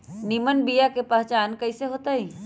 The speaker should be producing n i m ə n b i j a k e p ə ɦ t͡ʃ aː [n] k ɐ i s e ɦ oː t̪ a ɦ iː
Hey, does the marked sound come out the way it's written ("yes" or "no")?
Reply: yes